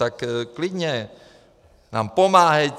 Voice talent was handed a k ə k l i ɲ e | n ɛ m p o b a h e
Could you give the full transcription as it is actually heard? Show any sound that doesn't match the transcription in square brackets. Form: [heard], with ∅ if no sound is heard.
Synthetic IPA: a k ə k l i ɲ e | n [a] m p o [m] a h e